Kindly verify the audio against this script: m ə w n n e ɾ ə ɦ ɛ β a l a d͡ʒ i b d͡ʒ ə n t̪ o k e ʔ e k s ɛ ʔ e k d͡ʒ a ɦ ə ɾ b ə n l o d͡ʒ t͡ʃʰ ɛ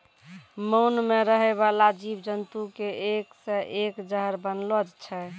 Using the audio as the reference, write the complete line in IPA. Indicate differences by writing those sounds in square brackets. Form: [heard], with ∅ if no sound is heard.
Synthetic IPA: m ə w n [m] e ɾ ə ɦ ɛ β a l a d͡ʒ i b d͡ʒ ə n t̪ [u] k e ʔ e k s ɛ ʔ e k d͡ʒ [ə] ɦ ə ɾ b ə n l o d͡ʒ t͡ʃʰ ɛ